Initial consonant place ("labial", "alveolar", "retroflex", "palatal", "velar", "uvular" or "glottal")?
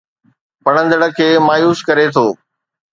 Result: labial